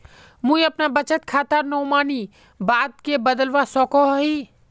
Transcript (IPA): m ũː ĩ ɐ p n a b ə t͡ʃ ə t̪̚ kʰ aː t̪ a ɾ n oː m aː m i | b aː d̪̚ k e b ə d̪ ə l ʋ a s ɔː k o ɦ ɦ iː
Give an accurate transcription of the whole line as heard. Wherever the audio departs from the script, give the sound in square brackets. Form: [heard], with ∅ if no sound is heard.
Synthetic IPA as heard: m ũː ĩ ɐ p n a b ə t͡ʃ ə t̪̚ kʰ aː t̪ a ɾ n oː m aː [n] i | b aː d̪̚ k e b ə d̪ ə l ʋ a s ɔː k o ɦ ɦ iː

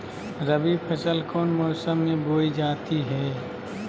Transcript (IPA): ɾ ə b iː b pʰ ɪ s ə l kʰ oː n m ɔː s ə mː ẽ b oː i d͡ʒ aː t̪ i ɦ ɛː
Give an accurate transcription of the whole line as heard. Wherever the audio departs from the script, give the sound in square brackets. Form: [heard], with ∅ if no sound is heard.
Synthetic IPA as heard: ɾ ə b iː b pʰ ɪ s ə l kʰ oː n m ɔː s ə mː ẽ b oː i d͡ʒ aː t̪ i ɦ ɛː

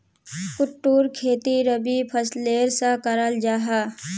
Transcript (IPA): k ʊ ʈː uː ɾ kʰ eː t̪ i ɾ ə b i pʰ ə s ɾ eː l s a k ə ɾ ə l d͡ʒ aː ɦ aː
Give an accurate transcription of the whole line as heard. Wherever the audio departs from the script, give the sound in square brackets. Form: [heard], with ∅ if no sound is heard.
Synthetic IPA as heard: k ʊ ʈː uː ɾ kʰ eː t̪ i ɾ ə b i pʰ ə s [l] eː [ɾ] s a k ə ɾ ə l d͡ʒ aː ɦ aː

